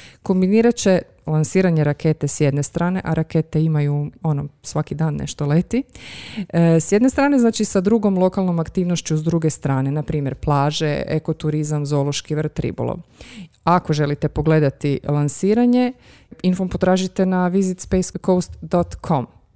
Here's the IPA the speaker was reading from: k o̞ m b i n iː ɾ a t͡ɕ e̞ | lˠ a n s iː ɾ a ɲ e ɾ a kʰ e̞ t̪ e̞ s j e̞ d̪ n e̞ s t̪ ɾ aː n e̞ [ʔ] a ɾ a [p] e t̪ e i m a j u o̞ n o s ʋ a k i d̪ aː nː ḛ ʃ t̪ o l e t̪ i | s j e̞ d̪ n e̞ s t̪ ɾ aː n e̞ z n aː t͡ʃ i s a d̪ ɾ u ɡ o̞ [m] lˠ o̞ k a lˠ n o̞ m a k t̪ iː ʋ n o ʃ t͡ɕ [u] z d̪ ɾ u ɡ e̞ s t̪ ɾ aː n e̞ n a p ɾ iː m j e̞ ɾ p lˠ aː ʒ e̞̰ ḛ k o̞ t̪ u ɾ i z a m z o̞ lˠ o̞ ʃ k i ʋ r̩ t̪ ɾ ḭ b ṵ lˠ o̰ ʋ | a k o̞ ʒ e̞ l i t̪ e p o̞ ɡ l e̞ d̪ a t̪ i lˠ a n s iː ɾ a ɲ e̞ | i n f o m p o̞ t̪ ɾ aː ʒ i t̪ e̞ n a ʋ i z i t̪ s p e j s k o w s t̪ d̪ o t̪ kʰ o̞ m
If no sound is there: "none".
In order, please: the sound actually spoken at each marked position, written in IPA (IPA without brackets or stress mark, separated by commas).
ʔ, k, m, u